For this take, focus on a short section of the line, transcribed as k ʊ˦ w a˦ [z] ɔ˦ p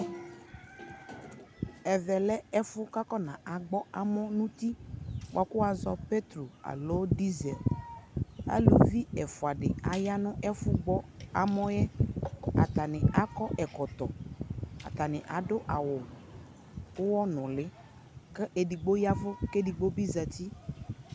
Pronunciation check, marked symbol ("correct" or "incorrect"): correct